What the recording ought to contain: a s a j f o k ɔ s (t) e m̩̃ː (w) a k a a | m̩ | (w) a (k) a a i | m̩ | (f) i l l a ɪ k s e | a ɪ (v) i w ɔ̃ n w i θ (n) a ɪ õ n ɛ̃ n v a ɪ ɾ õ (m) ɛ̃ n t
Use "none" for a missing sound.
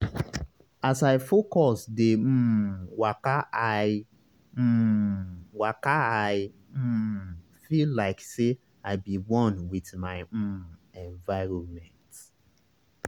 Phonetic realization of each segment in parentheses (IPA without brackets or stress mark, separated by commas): d, w, w, k, f, b, m, m